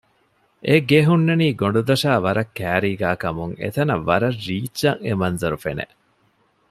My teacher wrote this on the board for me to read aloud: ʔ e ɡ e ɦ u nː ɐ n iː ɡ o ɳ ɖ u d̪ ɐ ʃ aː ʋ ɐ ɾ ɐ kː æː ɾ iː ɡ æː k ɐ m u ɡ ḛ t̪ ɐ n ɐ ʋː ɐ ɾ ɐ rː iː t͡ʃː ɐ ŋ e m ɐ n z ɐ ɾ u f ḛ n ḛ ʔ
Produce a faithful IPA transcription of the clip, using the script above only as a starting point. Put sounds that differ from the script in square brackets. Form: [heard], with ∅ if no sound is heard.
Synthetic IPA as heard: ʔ e ɡ e ɦ u nː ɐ n iː ɡ o ɳ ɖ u d̪ ɐ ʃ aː ʋ ɐ ɾ ɐ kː æː ɾ iː ɡ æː k ɐ m u [ŋ] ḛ t̪ ɐ n ɐ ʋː ɐ ɾ ɐ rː iː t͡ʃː ɐ ŋ e m ɐ n z ɐ ɾ u f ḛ n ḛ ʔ